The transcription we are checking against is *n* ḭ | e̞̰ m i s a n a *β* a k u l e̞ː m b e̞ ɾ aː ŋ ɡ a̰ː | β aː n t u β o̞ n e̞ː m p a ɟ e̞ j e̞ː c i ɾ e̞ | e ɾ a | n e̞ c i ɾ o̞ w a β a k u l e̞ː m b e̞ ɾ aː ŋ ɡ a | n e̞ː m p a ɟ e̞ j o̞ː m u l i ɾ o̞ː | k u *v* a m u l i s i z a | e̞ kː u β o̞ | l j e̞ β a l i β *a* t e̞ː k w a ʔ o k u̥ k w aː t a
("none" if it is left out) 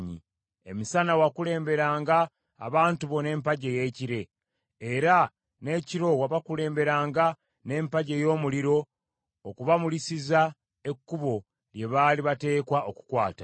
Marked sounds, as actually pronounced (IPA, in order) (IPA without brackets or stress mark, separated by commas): ɲ, w, β, a